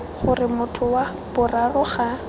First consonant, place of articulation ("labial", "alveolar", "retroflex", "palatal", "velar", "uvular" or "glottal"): uvular